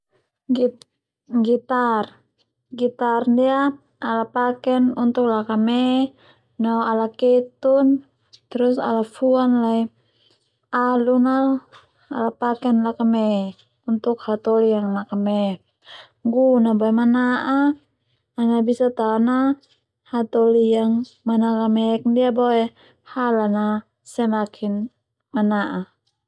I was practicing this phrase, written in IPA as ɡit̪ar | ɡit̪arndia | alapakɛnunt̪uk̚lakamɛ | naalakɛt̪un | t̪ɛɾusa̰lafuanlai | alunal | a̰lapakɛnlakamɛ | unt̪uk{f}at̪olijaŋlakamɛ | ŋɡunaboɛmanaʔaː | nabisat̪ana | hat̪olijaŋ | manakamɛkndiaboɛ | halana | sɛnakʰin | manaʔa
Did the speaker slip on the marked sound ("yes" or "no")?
yes